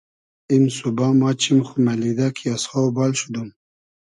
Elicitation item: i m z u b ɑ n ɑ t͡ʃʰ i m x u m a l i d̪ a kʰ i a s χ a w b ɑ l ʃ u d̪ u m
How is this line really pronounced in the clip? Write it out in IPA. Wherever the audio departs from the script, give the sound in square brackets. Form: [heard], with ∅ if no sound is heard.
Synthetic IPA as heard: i m [s] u b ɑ [m] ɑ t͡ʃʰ i m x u m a l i d̪ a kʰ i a s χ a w b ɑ l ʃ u d̪ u m